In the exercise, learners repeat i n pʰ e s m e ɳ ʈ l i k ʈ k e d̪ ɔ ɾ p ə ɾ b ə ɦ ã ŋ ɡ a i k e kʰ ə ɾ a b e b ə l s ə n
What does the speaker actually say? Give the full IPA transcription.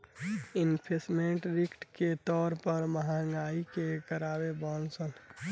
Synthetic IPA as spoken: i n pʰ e s m e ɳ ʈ ɾ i k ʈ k e t̪ ɔ ɾ p ə ɾ m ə ɦ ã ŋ ɡ a i k e k ə ɾ a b e b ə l s ə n